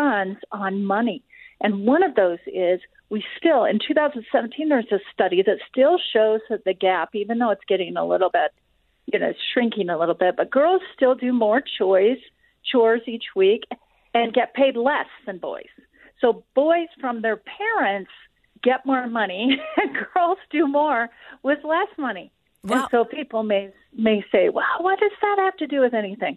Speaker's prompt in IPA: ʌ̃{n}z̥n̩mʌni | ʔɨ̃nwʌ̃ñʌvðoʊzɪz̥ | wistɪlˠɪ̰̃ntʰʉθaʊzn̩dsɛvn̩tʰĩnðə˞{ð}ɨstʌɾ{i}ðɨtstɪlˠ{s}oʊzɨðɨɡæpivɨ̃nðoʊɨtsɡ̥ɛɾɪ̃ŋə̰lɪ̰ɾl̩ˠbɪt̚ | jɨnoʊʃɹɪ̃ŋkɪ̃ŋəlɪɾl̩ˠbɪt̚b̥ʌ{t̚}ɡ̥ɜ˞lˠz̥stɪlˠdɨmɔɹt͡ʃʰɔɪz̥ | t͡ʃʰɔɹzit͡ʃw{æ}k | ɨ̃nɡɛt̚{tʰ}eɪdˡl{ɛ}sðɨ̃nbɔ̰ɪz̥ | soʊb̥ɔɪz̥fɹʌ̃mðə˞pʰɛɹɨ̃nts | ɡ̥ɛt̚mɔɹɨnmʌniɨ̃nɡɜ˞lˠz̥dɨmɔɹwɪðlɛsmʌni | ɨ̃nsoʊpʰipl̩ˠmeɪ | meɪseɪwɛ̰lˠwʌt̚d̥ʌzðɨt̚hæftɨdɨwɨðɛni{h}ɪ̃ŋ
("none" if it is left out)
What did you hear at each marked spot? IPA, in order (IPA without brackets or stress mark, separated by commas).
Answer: n, z, i, ʃ, t̚, i, pʰ, ɛ, θ